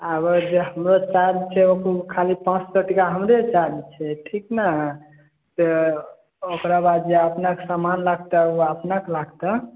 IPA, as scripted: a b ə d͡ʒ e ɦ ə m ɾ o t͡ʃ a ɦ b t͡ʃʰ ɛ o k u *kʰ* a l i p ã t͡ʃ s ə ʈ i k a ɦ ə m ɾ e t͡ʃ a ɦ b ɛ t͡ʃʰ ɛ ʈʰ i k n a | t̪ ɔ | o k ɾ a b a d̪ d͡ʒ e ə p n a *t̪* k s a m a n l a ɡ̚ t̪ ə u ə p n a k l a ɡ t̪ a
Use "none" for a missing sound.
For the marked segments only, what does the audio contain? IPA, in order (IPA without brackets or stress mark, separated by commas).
kʰ, none